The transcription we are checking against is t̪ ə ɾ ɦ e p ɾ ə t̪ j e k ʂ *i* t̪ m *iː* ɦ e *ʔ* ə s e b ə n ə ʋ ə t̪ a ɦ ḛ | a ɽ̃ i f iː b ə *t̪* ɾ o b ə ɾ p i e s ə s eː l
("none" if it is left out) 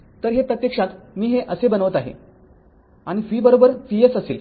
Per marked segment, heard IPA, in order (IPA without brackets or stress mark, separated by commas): a, iː, ʔ, none